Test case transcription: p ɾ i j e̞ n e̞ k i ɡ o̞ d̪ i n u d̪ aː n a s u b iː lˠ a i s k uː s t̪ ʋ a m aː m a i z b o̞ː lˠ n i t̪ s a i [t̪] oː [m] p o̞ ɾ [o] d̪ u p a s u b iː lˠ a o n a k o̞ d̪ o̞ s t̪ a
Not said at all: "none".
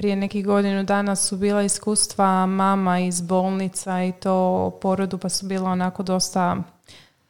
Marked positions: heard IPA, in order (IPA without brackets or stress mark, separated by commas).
t̪, none, o